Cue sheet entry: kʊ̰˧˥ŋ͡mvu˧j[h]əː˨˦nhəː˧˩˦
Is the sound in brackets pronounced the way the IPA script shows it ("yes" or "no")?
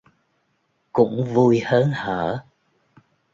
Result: yes